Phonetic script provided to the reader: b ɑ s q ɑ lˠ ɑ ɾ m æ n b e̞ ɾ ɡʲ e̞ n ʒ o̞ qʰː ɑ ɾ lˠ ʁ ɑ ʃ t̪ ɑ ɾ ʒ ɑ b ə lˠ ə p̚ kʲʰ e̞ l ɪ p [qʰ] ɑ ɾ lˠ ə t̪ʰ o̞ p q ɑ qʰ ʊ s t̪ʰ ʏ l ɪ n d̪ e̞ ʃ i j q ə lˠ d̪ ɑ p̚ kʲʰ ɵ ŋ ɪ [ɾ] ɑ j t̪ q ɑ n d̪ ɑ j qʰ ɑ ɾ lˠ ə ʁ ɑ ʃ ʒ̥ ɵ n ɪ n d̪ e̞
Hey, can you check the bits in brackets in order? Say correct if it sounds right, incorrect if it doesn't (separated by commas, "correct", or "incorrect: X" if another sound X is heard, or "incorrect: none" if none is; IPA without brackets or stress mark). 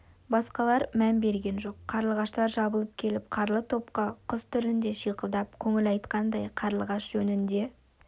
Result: correct, incorrect: l